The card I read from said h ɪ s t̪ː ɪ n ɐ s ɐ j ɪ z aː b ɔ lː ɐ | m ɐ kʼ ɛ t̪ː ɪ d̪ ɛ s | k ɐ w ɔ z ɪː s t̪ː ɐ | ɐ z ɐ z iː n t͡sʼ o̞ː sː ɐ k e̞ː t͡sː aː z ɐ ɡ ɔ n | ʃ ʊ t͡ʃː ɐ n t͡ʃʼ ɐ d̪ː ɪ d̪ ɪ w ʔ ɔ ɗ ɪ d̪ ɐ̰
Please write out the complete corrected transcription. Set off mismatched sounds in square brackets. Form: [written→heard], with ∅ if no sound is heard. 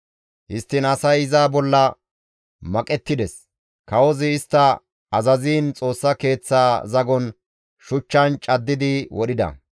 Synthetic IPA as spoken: h ɪ s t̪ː ɪ n ɐ s ɐ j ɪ z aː b ɔ lː ɐ | m ɐ kʼ ɛ t̪ː ɪ d̪ ɛ s | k ɐ w ɔ z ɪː s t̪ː ɐ | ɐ z ɐ z iː n t͡sʼ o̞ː sː ɐ k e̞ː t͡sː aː z ɐ ɡ ɔ n | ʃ ʊ t͡ʃː ɐ n t͡ʃʼ ɐ d̪ː ɪ d̪ ɪ w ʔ ɔ ɗ ɪ d̪ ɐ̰